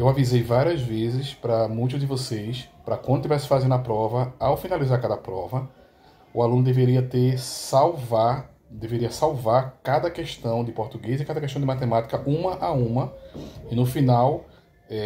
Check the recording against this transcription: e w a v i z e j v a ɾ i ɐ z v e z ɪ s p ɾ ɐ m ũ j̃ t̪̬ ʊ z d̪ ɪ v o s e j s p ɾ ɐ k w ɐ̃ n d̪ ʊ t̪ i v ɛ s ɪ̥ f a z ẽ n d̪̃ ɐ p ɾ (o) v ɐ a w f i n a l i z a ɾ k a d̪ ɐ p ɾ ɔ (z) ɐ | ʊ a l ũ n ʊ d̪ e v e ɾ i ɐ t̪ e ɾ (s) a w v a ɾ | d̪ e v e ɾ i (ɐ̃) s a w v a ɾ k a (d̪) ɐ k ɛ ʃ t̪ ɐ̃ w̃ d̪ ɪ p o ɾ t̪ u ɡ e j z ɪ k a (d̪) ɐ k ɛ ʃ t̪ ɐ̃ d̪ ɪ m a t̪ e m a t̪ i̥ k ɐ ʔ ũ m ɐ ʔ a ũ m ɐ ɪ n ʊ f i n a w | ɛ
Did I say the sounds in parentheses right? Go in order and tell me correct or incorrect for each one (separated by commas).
incorrect, incorrect, correct, incorrect, correct, correct